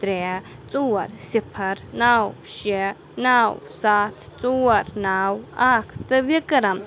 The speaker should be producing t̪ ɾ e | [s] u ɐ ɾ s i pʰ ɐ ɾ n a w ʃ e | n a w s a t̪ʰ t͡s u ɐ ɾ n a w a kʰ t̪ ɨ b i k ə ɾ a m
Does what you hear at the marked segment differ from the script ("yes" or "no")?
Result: yes